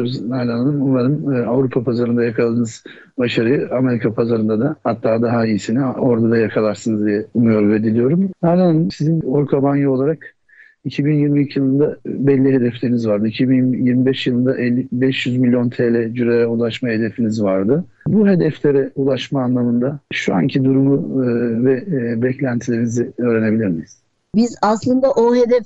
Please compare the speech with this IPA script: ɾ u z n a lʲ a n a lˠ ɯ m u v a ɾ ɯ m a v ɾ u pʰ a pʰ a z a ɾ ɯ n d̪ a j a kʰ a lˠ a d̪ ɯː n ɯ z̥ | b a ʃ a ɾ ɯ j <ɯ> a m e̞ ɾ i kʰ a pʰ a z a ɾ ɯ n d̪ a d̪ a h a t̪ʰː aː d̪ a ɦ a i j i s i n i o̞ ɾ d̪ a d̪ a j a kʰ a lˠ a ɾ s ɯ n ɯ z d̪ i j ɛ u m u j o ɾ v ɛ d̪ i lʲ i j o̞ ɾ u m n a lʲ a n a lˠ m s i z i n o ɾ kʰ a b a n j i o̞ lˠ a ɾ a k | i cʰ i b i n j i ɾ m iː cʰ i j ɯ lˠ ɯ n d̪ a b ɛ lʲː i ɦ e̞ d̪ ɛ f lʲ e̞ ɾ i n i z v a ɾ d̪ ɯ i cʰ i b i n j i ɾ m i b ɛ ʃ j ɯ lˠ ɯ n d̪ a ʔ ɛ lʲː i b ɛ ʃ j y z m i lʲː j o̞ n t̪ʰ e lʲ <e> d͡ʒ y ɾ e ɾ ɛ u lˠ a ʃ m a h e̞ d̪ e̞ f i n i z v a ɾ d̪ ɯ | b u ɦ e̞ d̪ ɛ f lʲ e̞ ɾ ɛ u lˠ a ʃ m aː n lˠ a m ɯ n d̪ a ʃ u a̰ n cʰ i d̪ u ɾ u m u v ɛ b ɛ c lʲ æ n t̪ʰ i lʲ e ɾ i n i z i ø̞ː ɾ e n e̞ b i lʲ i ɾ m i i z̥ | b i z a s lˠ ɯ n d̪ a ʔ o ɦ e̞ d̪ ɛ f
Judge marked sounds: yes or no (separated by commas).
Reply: yes, no